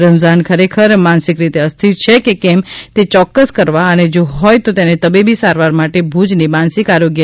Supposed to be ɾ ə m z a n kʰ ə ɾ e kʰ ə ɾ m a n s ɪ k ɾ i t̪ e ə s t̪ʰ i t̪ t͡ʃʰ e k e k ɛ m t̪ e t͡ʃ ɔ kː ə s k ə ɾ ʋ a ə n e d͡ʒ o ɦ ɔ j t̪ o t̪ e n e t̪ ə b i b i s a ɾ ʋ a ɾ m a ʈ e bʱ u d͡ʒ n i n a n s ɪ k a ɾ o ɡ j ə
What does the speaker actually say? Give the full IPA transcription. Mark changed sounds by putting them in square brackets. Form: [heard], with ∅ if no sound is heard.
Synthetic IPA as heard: ɾ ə m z a n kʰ ə ɾ e kʰ ə ɾ m a n s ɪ k ɾ i t̪ e ə s t̪ʰ i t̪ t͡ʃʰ e k e k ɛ m t̪ e t͡ʃ ɔ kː ə s k ə ɾ ʋ a ə n e d͡ʒ o ɦ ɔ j t̪ o t̪ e n e t̪ ə b i b i s a ɾ ʋ a ɾ m a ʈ e bʱ u d͡ʒ n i [m] a n s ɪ k a ɾ o ɡ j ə